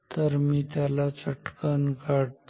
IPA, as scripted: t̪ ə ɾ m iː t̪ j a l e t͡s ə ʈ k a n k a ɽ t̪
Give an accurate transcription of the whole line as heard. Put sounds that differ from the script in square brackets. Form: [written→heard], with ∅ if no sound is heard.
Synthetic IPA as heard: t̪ ə ɾ m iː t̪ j a l [e→a] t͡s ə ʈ k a n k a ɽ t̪